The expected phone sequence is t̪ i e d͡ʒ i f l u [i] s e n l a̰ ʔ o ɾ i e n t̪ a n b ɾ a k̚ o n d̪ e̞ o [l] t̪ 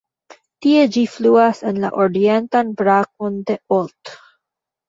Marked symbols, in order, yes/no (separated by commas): no, yes